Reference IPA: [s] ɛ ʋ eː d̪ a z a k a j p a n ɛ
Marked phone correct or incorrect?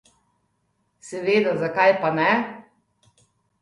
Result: correct